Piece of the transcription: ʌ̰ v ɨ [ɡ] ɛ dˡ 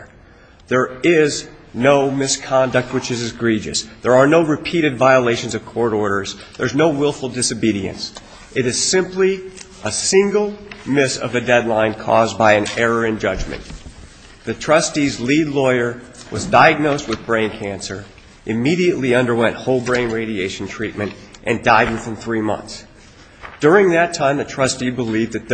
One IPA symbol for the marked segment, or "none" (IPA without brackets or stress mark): d